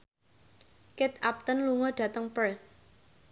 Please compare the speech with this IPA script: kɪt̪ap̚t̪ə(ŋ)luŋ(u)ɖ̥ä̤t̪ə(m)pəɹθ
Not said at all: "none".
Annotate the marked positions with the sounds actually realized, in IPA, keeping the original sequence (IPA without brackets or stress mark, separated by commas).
n, ɔ, ŋ